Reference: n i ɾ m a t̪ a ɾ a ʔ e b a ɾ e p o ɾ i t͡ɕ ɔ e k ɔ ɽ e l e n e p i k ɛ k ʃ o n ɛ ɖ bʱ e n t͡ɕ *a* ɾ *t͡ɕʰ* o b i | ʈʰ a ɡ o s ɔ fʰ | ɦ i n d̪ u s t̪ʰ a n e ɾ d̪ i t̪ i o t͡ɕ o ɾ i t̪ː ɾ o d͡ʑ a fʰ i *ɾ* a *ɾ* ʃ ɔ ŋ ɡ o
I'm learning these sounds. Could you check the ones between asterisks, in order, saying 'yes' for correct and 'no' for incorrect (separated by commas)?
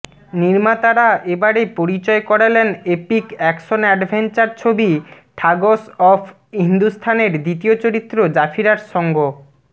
yes, yes, yes, yes